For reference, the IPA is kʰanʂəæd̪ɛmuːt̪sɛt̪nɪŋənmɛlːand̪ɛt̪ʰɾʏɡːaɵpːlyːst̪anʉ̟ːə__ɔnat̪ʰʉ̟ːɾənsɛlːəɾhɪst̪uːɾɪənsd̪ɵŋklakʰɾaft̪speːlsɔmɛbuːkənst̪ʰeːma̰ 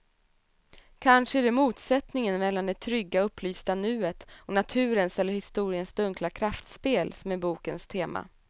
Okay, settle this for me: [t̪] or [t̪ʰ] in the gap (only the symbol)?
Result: t̪